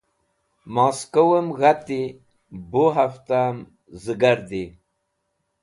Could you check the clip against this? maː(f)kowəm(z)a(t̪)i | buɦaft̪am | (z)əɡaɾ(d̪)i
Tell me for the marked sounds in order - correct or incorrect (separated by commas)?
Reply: incorrect, incorrect, correct, correct, correct